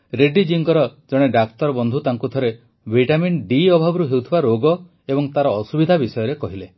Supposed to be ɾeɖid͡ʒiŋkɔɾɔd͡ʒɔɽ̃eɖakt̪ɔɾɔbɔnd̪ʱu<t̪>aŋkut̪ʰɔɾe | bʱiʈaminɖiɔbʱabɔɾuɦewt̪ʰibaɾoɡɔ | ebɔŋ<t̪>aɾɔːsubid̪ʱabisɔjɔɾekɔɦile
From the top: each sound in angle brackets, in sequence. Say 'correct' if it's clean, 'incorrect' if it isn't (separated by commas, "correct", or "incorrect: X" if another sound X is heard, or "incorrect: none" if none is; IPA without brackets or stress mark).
correct, correct